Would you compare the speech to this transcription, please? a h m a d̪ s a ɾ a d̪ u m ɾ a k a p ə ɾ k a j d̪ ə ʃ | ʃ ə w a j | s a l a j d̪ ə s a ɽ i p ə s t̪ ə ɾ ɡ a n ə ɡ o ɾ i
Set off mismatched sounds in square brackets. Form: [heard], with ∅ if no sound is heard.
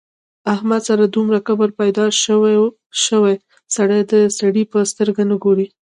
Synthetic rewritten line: a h m a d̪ s a ɾ a d̪ u m ɾ a k a [b] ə ɾ [p] a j d̪ [ɑ] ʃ | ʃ ə w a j | s a [ɽ] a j d̪ ə s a ɽ i p ə s t̪ ə ɾ ɡ a n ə ɡ o ɾ i